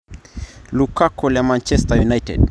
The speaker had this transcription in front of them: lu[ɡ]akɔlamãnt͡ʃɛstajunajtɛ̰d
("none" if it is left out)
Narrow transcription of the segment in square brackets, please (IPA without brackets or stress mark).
k